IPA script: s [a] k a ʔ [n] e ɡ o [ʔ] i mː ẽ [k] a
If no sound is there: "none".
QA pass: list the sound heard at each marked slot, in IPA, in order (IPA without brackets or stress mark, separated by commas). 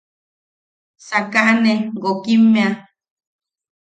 a, n, k, none